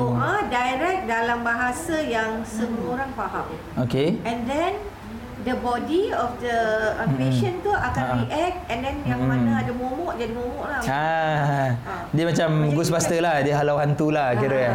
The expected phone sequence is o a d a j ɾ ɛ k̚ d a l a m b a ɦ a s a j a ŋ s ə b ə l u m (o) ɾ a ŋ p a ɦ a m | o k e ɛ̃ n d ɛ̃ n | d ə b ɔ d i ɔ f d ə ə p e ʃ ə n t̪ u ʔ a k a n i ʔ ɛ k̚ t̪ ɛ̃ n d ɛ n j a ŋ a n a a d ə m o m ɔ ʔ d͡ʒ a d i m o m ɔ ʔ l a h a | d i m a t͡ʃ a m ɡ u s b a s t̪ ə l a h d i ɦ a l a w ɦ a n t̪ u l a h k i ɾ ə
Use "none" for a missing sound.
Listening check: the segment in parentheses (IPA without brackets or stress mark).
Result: o